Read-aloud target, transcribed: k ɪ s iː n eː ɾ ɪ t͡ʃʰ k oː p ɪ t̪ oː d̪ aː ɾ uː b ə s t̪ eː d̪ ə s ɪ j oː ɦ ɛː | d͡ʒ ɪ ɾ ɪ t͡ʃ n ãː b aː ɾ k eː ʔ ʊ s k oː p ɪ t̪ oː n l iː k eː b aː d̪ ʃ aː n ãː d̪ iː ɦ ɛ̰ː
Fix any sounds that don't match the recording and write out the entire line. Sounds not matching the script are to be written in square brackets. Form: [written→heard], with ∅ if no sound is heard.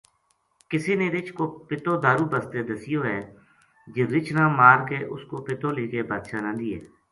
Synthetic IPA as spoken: k ɪ s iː n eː ɾ ɪ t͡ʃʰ k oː p ɪ t̪ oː d̪ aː ɾ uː b ə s t̪ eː d̪ ə s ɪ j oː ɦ ɛː | d͡ʒ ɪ ɾ ɪ t͡ʃ n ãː [b→m] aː ɾ k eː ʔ ʊ s k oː p ɪ t̪ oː [n→∅] l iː k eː b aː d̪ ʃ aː n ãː d̪ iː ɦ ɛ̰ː